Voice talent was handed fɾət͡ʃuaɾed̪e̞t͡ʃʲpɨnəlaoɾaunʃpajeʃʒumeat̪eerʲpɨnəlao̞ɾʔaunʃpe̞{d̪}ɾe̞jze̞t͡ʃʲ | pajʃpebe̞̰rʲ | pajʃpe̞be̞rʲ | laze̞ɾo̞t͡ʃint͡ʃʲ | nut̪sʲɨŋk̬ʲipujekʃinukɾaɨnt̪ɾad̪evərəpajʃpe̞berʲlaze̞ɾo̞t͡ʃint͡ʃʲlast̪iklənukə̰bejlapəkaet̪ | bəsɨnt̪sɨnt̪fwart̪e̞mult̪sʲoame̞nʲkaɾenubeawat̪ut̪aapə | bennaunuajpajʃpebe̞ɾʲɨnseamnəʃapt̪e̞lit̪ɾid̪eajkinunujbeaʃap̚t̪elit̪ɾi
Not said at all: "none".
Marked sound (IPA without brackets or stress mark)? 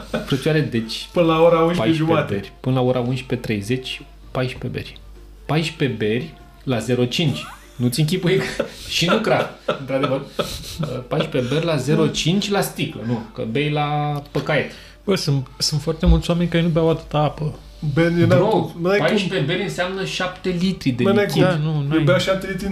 t̪